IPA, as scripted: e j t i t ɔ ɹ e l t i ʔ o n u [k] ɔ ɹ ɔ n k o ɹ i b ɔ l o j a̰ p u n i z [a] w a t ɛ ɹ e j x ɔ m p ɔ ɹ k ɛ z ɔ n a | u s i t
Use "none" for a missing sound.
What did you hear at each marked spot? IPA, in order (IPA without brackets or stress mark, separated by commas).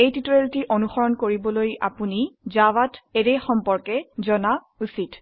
x, a